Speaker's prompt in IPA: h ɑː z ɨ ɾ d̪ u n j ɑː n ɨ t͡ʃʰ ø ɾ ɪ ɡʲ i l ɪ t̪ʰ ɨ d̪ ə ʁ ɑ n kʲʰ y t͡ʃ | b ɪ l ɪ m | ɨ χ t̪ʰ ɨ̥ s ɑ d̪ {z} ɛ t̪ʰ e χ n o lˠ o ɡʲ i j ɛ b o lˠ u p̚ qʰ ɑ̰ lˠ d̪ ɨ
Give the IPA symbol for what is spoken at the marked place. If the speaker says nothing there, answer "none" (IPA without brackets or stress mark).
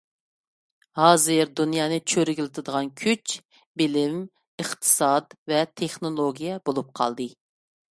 v